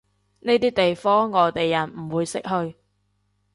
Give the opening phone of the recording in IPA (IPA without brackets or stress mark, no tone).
n